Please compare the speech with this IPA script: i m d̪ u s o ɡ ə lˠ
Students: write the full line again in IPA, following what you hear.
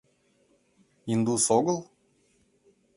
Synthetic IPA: i n d̪ u s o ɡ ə lˠ